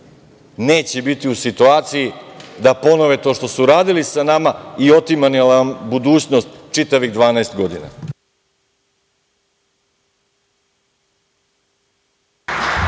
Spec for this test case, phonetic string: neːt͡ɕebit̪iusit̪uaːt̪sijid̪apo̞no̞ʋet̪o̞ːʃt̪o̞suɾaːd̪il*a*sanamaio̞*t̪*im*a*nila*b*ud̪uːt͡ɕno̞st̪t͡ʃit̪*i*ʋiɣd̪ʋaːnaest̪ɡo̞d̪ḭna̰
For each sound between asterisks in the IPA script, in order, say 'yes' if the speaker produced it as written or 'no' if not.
no, yes, yes, yes, no

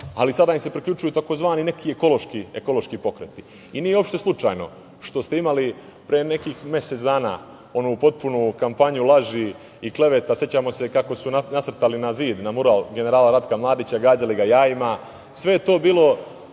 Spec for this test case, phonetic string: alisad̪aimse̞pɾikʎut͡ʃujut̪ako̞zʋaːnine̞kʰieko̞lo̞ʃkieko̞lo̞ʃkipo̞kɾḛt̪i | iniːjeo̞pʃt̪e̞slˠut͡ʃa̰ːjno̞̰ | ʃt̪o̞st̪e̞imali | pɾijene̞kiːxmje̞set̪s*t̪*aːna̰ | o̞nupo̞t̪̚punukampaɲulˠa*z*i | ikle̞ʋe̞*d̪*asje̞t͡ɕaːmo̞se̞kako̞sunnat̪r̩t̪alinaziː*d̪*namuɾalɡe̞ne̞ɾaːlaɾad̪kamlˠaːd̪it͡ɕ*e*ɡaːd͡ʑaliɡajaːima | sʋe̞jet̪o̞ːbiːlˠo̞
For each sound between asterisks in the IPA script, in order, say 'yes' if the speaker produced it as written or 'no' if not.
no, no, no, yes, no

